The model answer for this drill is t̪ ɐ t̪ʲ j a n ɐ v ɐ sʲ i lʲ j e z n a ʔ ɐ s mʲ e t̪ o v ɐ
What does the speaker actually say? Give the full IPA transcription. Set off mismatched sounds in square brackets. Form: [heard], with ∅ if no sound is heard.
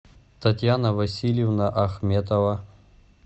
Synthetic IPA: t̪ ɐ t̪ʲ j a n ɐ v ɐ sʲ i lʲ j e [v] n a ʔ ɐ [x] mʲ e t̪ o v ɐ